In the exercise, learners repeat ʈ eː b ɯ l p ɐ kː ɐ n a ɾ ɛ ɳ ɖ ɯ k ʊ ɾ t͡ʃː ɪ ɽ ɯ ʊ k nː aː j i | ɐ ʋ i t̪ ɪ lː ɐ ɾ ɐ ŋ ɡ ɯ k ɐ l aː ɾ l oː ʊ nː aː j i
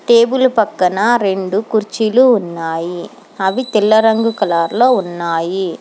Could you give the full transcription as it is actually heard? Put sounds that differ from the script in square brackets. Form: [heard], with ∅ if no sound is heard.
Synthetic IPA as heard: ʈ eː b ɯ l p ɐ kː ɐ n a ɾ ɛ ɳ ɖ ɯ k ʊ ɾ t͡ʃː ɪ [l] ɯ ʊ [∅] nː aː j i | ɐ ʋ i t̪ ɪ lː ɐ ɾ ɐ ŋ ɡ ɯ k ɐ l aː ɾ l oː ʊ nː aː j i